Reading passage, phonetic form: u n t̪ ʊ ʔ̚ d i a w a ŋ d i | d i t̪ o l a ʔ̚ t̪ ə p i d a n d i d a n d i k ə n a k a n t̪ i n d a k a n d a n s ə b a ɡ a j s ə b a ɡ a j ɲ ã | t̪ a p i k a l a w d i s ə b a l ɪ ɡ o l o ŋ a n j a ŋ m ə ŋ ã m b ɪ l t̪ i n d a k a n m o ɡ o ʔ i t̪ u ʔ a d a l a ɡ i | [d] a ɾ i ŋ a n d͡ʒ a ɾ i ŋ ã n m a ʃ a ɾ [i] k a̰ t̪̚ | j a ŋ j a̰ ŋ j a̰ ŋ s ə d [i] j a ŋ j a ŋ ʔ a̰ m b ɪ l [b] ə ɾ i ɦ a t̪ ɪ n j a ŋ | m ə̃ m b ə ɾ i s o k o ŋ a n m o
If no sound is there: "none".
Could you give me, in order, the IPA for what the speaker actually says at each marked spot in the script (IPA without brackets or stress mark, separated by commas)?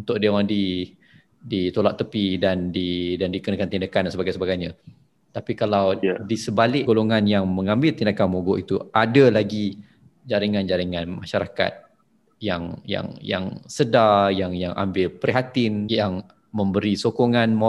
d͡ʒ, a, a, p